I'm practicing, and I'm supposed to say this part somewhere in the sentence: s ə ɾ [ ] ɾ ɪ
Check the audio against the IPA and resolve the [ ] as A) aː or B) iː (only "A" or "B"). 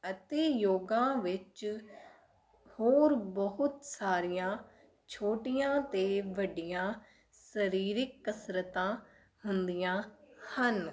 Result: B